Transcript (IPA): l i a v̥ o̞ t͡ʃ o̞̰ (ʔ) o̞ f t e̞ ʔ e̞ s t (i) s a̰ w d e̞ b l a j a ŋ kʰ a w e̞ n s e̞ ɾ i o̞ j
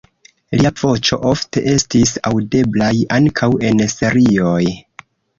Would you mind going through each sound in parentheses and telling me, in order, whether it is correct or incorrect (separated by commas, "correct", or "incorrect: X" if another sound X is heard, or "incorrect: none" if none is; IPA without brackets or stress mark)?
correct, correct